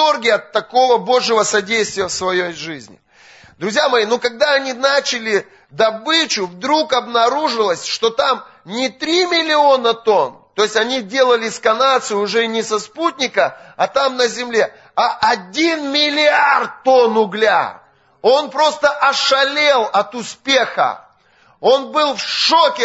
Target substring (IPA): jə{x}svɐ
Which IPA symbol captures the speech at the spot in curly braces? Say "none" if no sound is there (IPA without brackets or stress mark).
f